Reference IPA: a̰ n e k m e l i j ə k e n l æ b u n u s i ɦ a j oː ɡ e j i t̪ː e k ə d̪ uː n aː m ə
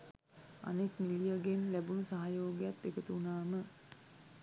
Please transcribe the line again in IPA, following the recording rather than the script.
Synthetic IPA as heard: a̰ n e k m i l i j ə ɡ e n l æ b u n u s a ɦ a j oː ɡ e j a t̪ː e k ə t̪ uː n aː m ə